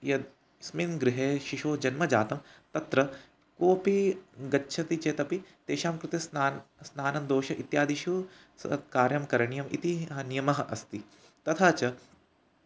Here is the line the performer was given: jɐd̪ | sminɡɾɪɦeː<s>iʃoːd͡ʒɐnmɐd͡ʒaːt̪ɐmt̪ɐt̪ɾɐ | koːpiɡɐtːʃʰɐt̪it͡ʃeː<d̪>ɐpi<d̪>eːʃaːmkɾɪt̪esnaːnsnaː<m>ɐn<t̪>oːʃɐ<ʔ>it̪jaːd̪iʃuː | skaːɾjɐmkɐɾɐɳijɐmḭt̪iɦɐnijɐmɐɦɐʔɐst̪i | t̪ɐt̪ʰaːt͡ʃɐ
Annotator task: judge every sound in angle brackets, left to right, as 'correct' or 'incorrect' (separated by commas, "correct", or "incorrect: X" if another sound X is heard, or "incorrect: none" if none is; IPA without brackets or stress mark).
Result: incorrect: ʃ, incorrect: t̪, incorrect: t̪, incorrect: n, incorrect: d̪, correct